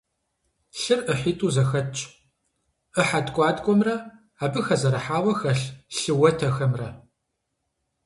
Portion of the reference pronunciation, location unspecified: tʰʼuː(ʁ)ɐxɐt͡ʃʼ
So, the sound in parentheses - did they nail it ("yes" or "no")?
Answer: no